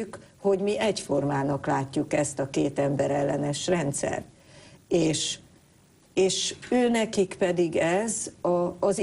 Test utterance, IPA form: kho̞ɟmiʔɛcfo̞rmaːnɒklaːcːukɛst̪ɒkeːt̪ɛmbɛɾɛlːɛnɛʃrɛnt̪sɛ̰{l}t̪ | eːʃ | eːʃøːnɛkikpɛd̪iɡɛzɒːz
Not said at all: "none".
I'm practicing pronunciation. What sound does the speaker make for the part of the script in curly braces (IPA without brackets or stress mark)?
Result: r